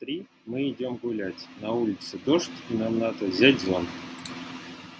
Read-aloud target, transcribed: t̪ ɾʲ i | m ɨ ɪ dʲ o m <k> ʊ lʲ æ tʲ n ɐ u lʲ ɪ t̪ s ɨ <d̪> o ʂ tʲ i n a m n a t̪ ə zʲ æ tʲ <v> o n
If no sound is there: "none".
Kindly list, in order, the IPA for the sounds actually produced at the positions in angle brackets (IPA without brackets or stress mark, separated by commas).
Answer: ɡ, d̪, z